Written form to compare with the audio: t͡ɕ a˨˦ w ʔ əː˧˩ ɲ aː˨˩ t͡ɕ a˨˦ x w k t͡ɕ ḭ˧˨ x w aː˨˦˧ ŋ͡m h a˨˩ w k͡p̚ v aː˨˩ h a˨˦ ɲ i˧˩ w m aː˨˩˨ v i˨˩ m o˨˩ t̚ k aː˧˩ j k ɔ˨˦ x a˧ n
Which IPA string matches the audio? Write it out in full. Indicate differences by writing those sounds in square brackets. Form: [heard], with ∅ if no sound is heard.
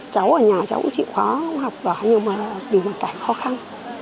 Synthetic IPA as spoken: t͡ɕ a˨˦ w ʔ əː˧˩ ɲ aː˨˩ t͡ɕ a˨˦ [∅] w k t͡ɕ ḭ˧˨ x w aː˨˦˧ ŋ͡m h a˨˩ w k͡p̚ v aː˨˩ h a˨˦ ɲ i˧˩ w m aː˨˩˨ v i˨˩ m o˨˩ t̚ k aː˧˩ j [x] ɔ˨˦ x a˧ n